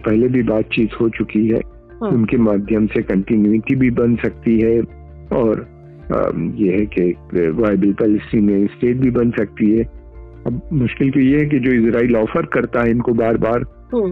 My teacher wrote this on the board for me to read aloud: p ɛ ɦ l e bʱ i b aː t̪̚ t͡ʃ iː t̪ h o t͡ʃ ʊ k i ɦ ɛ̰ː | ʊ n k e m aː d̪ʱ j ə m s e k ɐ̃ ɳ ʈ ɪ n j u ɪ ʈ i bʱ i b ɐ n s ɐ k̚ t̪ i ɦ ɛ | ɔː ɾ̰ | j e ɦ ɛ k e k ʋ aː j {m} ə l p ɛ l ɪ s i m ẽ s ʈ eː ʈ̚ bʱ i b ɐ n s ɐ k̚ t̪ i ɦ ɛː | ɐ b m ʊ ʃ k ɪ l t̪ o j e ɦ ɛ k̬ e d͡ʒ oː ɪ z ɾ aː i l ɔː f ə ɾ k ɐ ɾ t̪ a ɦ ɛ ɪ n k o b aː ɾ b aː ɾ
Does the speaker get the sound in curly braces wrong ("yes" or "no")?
yes